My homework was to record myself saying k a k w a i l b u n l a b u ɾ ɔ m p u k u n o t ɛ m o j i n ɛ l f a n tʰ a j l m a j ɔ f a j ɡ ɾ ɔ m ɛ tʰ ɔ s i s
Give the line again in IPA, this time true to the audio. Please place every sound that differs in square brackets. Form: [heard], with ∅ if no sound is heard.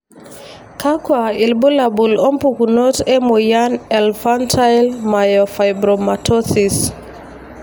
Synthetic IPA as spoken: k a k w a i l b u [∅] l a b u [l] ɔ m p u k u n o t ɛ m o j [a] n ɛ l f a n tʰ a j l m a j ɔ f a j [b] ɾ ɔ m [a] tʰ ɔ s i s